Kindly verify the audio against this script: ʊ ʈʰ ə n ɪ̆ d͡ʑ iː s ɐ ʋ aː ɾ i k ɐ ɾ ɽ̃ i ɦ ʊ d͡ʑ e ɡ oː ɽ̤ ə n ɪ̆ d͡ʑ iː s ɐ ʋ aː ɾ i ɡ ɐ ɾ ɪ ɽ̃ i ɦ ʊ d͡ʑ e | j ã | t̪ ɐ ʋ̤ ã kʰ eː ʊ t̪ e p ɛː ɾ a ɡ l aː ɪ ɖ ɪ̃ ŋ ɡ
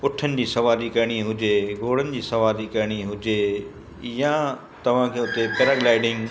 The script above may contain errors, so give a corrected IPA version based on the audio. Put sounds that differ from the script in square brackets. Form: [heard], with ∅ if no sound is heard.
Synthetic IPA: ʊ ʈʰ ə n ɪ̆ d͡ʑ iː s ɐ ʋ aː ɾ i k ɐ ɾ ɽ̃ i ɦ ʊ d͡ʑ e ɡ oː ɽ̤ ə n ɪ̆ d͡ʑ iː s ɐ ʋ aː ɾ i [k] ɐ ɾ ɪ ɽ̃ i ɦ ʊ d͡ʑ e | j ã | t̪ ɐ ʋ̤ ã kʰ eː ʊ t̪ e p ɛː ɾ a ɡ l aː ɪ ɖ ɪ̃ ŋ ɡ